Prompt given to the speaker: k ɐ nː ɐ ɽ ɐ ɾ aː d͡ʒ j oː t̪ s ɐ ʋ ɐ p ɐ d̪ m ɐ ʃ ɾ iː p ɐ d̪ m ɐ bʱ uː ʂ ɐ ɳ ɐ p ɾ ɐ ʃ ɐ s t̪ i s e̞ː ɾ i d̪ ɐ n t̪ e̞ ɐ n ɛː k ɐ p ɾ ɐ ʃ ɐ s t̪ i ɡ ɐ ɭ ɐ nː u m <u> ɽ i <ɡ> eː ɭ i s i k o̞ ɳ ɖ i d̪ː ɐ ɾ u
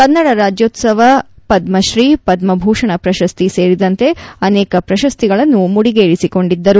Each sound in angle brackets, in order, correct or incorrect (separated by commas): correct, correct